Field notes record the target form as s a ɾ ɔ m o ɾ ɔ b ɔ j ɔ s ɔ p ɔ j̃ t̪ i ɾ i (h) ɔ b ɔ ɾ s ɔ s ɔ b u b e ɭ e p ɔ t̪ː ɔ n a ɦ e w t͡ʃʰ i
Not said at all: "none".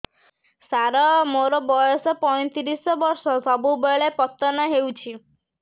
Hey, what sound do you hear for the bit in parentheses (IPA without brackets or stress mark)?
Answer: s